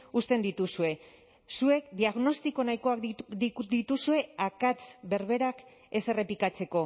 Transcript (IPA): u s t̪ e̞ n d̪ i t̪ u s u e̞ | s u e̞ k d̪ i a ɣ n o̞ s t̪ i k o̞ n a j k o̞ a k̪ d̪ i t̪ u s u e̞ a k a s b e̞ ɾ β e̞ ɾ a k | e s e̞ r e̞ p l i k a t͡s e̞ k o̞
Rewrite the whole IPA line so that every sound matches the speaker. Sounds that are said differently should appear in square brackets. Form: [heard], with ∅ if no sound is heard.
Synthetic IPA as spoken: u s t̪ e̞ n d̪ i t̪ u s u e̞ | s u e̞ k d̪ i a ɣ n o̞ s t̪ i k o̞ n a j k o̞ a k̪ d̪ i t̪ u s u e̞ a k a [t͡s] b e̞ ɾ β e̞ ɾ a k | e s e̞ r e̞ p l i k a t͡s e̞ k o̞

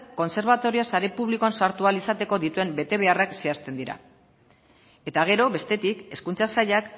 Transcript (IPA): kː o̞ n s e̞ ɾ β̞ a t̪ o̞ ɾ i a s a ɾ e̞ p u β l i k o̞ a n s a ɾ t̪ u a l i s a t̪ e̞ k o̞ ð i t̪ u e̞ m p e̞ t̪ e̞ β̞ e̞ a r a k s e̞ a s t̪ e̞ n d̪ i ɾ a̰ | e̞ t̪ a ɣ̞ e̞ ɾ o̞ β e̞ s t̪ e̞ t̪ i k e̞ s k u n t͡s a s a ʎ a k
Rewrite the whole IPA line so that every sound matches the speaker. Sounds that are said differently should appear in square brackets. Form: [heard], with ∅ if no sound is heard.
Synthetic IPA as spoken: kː o̞ n s e̞ ɾ β̞ a t̪ o̞ ɾ i a s a ɾ e̞ p u β l i k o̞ a n s a ɾ t̪ u a l i s a t̪ e̞ k o̞ ð i t̪ u e̞ m [b] e̞ t̪ e̞ β̞ e̞ a r a k s e̞ a s t̪ e̞ n d̪ i ɾ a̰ | e̞ t̪ a ɣ̞ e̞ ɾ o̞ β e̞ s t̪ e̞ t̪ i k e̞ s k u n t͡s a s a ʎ a k

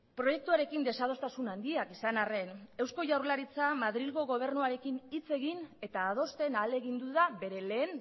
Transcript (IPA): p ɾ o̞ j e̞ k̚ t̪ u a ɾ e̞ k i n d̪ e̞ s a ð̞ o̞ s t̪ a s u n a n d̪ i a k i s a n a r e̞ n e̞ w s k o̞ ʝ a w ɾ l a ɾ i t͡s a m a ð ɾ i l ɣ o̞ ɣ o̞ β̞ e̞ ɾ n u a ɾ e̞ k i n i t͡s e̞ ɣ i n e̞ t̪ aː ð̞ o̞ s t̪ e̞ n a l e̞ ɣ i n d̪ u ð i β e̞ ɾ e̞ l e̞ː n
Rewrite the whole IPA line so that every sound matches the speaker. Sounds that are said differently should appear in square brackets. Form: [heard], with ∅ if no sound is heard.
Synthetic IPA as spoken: p ɾ o̞ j e̞ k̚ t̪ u a ɾ e̞ k i n d̪ e̞ s a ð̞ o̞ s t̪ a s u n a n d̪ i a k i s a n a r e̞ n e̞ w s k o̞ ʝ a w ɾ l a ɾ i t͡s a m a ð ɾ i l ɣ o̞ ɣ o̞ β̞ e̞ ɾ n u a ɾ e̞ k i n i t͡s e̞ ɣ i n e̞ t̪ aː ð̞ o̞ s t̪ e̞ n a l e̞ ɣ i n d̪ u ð [a] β e̞ ɾ e̞ l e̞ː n

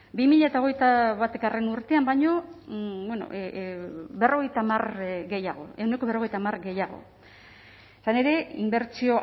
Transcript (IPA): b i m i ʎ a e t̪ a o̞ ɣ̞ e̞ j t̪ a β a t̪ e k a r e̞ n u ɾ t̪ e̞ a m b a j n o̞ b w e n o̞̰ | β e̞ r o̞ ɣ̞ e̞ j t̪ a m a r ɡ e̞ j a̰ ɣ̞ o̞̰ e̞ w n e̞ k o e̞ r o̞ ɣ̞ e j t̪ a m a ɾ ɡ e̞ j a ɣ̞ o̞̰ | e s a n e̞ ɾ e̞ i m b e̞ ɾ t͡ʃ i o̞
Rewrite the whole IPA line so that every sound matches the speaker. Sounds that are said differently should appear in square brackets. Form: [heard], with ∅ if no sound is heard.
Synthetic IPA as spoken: b i m i ʎ a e t̪ a o̞ ɣ̞ e̞ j t̪ a β a t̪ e k a r e̞ n u ɾ t̪ e̞ a m b a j [ɲ] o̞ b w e n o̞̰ | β e̞ r o̞ ɣ̞ e̞ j t̪ a m a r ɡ e̞ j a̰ ɣ̞ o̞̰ e̞ w n e̞ k o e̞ r o̞ ɣ̞ e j t̪ a m a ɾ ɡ e̞ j a ɣ̞ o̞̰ | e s a n e̞ ɾ e̞ i m b e̞ ɾ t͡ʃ i o̞

